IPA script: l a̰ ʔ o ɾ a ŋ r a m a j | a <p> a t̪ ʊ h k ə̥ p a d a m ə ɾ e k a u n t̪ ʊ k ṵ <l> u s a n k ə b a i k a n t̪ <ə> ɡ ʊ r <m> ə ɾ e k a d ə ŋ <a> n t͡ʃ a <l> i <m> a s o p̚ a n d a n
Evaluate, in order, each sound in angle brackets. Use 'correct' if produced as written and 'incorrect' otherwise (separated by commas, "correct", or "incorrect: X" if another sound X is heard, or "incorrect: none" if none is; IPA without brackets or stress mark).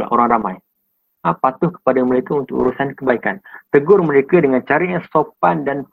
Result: correct, incorrect: ɾ, correct, correct, correct, incorrect: ɾ, incorrect: ɲ